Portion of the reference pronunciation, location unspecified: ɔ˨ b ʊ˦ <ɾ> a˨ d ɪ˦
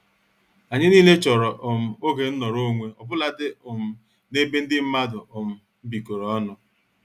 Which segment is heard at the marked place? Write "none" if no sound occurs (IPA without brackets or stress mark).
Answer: l